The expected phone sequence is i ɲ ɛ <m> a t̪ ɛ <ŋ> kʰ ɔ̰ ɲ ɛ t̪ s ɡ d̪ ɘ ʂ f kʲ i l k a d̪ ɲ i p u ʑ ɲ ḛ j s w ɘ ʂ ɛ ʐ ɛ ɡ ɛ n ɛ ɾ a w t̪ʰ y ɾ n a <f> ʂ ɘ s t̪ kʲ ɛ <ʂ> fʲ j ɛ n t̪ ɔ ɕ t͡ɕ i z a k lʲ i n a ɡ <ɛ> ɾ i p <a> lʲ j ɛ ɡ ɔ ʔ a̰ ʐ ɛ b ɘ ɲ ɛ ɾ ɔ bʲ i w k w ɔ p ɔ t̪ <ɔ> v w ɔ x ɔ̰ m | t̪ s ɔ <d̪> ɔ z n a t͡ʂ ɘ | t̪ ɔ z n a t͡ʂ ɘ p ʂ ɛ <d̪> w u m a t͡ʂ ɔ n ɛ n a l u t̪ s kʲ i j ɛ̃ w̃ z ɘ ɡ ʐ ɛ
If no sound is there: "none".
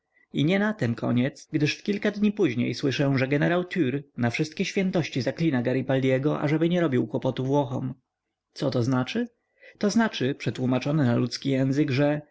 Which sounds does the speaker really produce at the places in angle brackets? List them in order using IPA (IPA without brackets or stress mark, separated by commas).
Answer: n, m, f, ɕ, a, a, u, t̪, t̪